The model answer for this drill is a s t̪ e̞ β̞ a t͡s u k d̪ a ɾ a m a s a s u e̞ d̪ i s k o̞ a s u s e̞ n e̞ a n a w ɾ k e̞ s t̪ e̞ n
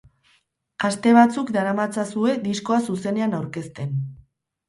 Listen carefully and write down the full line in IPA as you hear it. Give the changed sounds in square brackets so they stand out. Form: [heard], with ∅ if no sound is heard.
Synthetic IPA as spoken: a s t̪ e̞ β̞ a t͡s u k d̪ a ɾ a m a [t͡s] a s u e̞ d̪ i s k o̞ a s u s e̞ n e̞ a n a w ɾ k e̞ s t̪ e̞ n